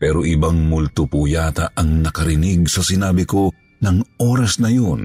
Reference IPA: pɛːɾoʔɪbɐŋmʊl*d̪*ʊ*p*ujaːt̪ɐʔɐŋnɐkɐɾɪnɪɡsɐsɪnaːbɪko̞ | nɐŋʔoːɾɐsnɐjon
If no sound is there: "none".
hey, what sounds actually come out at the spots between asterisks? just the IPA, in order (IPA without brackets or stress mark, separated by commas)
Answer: t̪, p